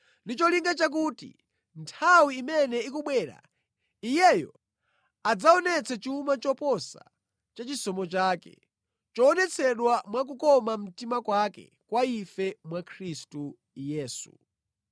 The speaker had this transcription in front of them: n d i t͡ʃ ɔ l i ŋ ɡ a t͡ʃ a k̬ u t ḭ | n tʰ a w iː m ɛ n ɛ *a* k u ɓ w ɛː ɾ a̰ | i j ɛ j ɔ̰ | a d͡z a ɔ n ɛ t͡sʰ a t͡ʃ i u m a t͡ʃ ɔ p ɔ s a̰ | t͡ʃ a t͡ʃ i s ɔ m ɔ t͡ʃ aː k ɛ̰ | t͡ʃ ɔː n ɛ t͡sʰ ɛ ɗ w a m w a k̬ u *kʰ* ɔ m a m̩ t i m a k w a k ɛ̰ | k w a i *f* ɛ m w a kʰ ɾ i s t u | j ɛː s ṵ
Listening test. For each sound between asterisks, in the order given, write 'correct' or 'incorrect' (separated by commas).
incorrect, incorrect, correct